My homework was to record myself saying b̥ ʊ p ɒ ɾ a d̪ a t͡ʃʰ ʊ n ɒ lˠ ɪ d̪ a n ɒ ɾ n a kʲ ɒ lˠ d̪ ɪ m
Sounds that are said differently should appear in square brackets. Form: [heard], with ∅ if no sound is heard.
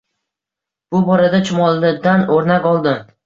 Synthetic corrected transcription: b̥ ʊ [b] ɒ ɾ a d̪ a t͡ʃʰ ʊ [m] ɒ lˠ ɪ d̪ a n [o] ɾ n a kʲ ɒ lˠ d̪ ɪ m